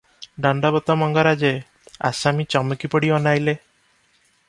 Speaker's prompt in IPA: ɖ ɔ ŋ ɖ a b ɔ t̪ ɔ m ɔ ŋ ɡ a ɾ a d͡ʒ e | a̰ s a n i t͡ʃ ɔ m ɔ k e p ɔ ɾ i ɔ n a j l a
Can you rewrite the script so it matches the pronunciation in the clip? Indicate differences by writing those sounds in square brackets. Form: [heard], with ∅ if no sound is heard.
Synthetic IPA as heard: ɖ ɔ [ɳ] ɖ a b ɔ t̪ ɔ m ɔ ŋ ɡ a ɾ a d͡ʒ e | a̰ s a [m] i t͡ʃ ɔ m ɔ k [i] p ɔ [ɽ] i ɔ n a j l [e]